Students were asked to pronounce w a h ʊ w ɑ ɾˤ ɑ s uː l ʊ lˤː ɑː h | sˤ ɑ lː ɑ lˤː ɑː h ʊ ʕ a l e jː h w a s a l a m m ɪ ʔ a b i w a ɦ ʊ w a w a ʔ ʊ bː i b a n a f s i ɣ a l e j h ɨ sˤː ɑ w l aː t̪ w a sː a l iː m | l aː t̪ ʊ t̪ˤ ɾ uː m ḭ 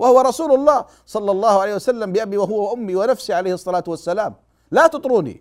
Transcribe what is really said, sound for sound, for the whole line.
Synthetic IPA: w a h ʊ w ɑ ɾˤ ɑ s uː l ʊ lˤː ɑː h | sˤ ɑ lː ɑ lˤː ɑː h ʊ ʕ a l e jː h w a s a lː a m b ɪ ʔ a b i w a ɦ ʊ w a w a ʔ ʊ mː i w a n a f s i ʕ a l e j h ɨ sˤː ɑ l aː t̪ w a sː a l aː m | l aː t̪ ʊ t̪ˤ ɾ uː n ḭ